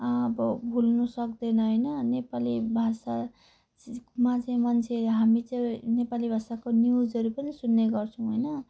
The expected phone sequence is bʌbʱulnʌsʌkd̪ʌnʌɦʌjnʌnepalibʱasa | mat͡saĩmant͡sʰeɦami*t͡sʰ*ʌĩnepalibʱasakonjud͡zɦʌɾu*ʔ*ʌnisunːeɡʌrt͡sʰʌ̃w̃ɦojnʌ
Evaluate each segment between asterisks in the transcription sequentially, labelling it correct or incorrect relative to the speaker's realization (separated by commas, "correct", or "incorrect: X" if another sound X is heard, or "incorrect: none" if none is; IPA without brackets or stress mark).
incorrect: t͡s, incorrect: p